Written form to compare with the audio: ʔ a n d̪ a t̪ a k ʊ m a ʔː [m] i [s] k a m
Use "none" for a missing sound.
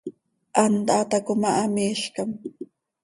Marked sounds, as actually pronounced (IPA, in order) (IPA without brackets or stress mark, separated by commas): m, ʃ